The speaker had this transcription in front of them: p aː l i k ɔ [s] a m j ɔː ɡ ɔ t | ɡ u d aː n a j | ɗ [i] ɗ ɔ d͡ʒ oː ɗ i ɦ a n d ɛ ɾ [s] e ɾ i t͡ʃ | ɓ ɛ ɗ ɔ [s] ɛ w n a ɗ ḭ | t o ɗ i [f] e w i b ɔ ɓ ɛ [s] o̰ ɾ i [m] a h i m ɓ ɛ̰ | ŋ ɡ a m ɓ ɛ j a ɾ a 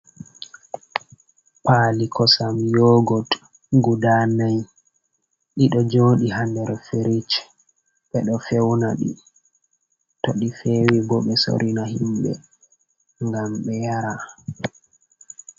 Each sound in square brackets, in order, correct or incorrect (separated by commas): correct, correct, incorrect, incorrect, correct, correct, incorrect